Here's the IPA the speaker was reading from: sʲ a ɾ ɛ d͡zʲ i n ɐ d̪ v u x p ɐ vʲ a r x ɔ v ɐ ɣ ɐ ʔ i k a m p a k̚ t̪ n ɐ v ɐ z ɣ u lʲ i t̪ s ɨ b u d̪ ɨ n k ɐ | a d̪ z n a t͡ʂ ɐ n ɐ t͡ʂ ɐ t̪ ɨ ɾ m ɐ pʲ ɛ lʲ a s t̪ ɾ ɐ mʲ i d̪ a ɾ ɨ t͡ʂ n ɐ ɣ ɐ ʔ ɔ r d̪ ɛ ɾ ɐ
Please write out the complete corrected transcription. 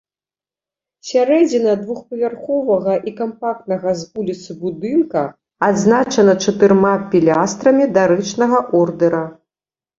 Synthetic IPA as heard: sʲ a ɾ ɛ d͡zʲ i n ɐ d̪ v u x p ɐ vʲ a r x ɔ v ɐ ɣ ɐ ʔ i k a m p a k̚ t̪ n ɐ ɣ ɐ z v u lʲ i t̪ s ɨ b u d̪ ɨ n k ɐ | a d̪ z n a t͡ʂ ɐ n ɐ t͡ʂ ɐ t̪ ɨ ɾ m a pʲ i lʲ a s t̪ ɾ ɐ mʲ i d̪ a ɾ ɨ t͡ʂ n ɐ ɣ ɐ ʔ ɔ r d̪ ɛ ɾ ɐ